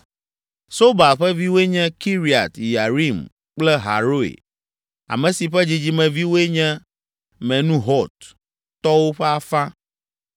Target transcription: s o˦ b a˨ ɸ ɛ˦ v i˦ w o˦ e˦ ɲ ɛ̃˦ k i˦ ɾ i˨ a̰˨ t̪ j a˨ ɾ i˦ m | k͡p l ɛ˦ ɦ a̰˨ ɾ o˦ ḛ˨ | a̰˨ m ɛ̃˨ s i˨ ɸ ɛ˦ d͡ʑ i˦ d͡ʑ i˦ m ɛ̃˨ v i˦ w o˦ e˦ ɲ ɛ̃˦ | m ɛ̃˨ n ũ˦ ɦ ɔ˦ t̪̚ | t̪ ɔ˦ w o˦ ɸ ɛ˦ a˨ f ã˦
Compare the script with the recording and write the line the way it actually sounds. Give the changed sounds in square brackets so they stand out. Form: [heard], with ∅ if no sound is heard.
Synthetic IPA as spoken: s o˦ b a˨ ɸ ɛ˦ v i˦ w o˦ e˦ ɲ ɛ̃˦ k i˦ ɾ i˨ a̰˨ t̪ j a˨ ɾ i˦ m | k͡p l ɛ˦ ɦ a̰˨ ɾ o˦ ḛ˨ | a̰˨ m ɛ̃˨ s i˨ ɸ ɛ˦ d͡ʑ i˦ d͡ʑ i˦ m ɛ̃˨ v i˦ w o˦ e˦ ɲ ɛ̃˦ | m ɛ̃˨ n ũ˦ ɦ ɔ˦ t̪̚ | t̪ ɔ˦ w o˦ ɸ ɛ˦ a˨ f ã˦